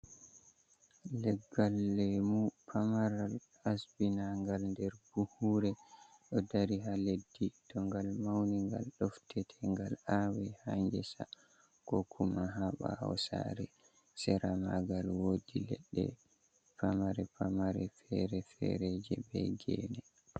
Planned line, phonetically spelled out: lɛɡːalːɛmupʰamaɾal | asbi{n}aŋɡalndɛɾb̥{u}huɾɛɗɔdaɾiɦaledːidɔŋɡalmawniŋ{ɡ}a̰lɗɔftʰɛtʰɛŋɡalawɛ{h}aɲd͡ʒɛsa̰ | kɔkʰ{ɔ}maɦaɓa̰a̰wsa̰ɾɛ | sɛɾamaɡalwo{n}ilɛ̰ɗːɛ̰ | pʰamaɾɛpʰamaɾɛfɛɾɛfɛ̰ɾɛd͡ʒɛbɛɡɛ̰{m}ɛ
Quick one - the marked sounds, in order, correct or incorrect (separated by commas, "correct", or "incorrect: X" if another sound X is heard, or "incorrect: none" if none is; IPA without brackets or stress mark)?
correct, correct, correct, correct, incorrect: u, incorrect: d, incorrect: n